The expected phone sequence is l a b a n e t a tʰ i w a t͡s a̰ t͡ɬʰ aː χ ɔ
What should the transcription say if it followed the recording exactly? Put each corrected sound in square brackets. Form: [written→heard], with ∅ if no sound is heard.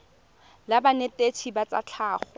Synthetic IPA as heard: l a b a n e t [a→e] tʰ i [w→b] a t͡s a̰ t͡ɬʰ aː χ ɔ